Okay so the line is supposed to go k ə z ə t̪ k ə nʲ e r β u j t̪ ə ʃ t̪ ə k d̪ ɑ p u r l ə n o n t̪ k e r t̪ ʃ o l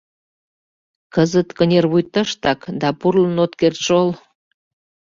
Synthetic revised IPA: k ə z ə t̪ k ə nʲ e r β u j t̪ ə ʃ t̪ ɑ k d̪ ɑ p u r l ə n o t̪ k e r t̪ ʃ o l